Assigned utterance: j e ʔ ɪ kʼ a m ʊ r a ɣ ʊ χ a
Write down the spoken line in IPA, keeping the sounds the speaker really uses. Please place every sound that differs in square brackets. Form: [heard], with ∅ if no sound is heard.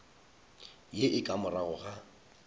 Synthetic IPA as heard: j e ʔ ɪ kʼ a m ʊ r a ɣ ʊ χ a